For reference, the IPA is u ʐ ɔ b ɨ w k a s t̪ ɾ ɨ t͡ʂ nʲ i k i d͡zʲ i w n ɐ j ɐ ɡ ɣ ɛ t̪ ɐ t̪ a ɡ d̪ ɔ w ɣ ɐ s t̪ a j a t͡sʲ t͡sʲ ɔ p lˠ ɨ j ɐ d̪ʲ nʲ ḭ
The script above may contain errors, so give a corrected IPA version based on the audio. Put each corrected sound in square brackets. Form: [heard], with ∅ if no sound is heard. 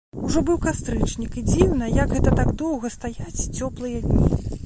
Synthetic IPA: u ʐ ɔ b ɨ w k a s t̪ ɾ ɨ t͡ʂ nʲ i k i d͡zʲ i w n ɐ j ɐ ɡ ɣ ɛ t̪ ɐ t̪ a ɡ d̪ ɔ w ɣ ɐ s t̪ a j a t͡sʲ t͡sʲ ɔ p lˠ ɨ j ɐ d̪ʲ nʲ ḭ